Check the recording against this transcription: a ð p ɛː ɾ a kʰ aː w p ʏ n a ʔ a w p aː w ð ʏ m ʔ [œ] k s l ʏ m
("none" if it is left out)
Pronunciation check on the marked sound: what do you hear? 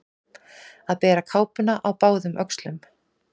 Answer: œ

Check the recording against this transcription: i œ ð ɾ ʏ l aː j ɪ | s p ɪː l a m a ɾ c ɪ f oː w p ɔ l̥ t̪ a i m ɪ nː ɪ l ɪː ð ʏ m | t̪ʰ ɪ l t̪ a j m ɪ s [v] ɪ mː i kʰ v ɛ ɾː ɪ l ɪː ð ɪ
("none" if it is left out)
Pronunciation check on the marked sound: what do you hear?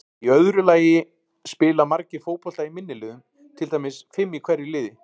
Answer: f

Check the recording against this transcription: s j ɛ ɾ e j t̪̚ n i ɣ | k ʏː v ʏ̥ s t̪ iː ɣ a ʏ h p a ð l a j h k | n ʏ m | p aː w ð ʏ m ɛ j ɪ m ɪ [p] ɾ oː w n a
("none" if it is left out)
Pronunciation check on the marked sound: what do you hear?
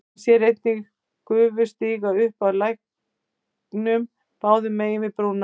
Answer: p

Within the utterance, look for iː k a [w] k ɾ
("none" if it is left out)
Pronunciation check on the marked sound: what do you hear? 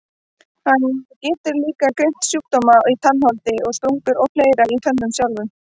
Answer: none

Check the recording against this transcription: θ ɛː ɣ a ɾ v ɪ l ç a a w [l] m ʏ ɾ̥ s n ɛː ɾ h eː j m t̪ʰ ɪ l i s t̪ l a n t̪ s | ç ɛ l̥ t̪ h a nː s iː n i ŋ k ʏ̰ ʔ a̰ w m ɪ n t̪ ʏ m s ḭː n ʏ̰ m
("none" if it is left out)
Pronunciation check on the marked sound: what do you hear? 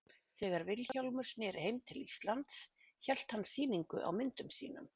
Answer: l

